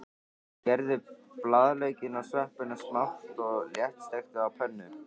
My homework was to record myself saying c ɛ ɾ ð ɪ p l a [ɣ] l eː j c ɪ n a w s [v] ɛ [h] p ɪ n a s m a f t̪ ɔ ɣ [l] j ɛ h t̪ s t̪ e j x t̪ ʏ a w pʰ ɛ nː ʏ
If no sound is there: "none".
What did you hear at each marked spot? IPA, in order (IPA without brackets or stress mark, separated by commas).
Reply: ð, v, h, l